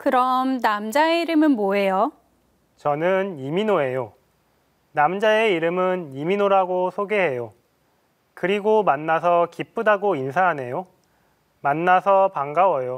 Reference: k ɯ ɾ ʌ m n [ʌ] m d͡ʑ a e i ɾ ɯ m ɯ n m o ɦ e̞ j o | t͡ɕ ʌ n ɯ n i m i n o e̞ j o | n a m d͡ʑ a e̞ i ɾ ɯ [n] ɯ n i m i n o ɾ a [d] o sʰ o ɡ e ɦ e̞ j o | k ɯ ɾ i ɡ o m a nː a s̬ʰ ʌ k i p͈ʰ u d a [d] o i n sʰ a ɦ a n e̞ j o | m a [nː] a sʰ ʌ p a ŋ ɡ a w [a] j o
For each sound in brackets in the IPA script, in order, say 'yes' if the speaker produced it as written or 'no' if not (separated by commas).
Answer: no, no, no, no, yes, no